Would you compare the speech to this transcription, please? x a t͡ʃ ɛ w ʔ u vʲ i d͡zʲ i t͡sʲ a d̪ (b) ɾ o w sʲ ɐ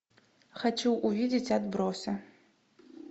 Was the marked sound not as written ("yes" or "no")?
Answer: no